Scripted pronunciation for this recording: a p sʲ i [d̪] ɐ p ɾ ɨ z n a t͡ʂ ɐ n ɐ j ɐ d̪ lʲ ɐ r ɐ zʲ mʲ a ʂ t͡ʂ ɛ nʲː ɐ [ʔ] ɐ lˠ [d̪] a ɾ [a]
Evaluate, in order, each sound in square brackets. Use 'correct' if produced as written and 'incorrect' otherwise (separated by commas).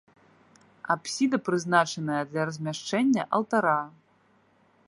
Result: correct, correct, incorrect, correct